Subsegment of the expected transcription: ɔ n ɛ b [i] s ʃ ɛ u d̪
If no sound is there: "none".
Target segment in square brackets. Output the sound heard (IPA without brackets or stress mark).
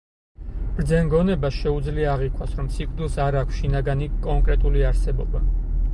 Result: a